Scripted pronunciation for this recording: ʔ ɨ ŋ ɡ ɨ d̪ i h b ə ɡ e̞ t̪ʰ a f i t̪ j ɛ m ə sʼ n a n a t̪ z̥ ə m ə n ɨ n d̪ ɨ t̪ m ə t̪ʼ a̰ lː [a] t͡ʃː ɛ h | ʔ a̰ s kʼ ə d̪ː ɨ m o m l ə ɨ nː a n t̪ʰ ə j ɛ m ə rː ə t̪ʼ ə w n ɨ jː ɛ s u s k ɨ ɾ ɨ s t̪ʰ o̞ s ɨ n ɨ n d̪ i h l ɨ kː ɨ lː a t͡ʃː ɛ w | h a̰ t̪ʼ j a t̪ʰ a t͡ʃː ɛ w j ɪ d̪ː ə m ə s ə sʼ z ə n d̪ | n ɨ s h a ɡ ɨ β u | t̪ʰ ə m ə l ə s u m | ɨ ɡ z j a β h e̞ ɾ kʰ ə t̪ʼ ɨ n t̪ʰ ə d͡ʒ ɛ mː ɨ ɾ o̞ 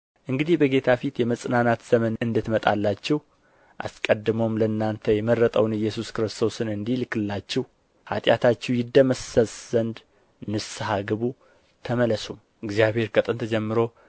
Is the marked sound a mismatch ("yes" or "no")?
no